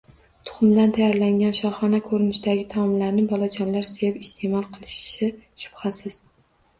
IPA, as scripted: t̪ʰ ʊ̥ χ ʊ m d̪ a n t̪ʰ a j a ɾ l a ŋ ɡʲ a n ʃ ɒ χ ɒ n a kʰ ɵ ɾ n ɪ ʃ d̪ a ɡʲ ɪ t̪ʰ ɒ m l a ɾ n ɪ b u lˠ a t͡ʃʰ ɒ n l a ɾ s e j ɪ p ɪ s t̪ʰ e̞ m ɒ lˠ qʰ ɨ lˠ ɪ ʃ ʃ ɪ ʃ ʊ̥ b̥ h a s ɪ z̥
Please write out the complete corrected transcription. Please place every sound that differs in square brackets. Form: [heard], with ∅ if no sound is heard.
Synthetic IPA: t̪ʰ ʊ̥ χ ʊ m d̪ a n t̪ʰ a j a ɾ l a ŋ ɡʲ a n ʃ ɒ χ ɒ n a kʰ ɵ ɾ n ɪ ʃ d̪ a ɡʲ ɪ t̪ʰ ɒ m l a ɾ n ɪ b [ɒ] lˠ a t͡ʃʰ ɒ n l a ɾ s e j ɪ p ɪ s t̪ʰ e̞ m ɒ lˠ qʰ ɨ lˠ ɪ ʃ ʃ ɪ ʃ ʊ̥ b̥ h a s ɪ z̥